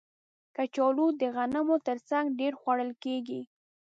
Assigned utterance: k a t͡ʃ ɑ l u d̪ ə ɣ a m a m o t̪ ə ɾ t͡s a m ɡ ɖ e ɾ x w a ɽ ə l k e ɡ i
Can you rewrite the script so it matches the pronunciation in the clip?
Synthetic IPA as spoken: k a t͡ʃ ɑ l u d̪ ə ɣ a n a m o t̪ ə ɾ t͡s a ŋ ɡ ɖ e ɾ x w a ɽ ə l k e ɡ i

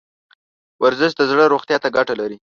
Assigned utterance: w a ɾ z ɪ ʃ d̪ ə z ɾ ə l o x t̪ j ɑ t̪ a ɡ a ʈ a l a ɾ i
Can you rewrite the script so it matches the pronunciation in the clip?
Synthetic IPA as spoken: w a ɾ z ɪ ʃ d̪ ə z ɽ ə ɾ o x t̪ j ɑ t̪ a ɡ a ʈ a l a ɾ i

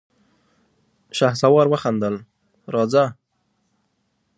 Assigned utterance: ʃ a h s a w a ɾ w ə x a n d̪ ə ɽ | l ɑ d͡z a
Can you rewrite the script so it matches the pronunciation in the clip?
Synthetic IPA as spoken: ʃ a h s a w ɑ ɾ w ə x a n d̪ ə l | ɾ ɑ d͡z a

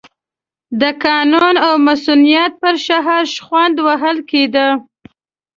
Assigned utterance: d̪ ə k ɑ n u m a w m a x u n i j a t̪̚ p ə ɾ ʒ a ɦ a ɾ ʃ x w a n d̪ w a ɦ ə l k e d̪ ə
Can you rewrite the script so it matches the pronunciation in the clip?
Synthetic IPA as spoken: d̪ ə k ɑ n u n a w m a s u n i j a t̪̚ p ə ɾ ʃ a ɦ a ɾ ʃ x w a n d̪ w a ɦ ə l k e d̪ ə

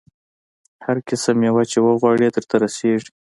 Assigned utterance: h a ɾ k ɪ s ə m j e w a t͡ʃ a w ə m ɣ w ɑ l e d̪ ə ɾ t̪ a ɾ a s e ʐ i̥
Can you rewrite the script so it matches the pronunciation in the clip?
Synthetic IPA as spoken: h a ɾ k ɪ s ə m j e w a t͡ʃ e w ə ɣ w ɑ ɽ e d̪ ə ɾ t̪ a ɾ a s e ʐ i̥

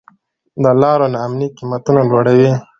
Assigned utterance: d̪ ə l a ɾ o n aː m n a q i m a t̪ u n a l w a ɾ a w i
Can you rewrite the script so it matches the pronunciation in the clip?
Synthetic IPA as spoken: d̪ ə l ɑ ɾ o n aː m n i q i m a t̪ u n a l w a ɽ a w i

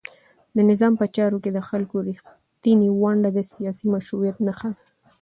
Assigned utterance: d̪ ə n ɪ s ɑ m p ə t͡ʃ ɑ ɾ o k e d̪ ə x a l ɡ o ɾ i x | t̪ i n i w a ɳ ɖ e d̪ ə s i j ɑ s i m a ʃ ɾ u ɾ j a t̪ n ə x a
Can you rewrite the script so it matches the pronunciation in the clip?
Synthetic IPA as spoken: d̪ ə n ɪ z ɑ m p ə t͡ʃ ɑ ɾ o k e d̪ ə x a l k o ɾ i x | t̪ i n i w a ɳ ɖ a d̪ ə s i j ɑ s i m a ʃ ɾ u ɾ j a t̪ n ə x a

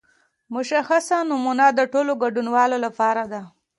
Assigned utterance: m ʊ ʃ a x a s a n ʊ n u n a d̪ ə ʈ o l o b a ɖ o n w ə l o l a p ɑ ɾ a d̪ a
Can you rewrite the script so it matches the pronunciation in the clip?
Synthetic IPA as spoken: m ʊ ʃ a x a s a n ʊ m u n a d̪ ə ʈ o l o ɡ a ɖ u n w ɑ l o l a p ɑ ɾ a d̪ a

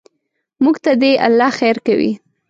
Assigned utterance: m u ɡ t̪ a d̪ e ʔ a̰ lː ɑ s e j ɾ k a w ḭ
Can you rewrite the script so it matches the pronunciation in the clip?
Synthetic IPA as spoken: m u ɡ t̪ a d̪ e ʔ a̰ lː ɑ x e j ɾ k a w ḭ

